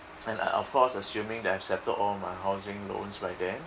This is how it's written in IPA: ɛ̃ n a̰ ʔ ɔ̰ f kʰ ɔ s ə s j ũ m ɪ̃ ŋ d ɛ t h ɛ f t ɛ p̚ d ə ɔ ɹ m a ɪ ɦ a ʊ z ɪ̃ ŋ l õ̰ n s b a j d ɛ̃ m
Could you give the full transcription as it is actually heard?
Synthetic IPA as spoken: ɛ̃ n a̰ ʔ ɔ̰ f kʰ ɔ s ə s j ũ m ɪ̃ ŋ d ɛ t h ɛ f s ɛ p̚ t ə ɔ l m a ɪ ɦ a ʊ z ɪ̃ ŋ l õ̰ n s b a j d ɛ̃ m